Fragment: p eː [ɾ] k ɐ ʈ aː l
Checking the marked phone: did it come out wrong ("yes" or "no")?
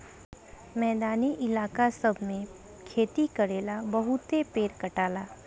no